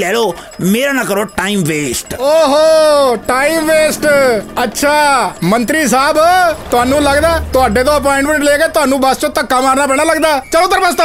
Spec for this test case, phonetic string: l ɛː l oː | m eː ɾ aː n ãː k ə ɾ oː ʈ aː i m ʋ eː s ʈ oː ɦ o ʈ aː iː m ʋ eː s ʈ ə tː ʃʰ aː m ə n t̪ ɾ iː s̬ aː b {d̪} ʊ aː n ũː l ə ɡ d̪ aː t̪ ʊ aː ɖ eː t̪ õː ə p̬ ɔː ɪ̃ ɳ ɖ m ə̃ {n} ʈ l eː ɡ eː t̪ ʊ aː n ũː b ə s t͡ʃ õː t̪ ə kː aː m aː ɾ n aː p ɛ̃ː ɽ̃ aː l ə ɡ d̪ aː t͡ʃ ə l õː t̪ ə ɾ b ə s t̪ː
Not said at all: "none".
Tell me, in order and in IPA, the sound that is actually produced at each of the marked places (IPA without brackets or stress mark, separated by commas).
t̪, ɳ